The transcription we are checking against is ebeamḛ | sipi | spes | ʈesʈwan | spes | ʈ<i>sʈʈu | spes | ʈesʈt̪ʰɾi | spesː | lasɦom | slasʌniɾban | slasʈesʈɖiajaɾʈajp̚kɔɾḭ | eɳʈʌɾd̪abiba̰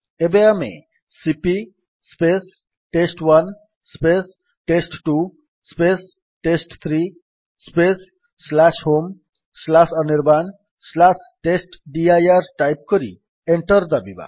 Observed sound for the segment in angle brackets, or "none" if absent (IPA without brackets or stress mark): e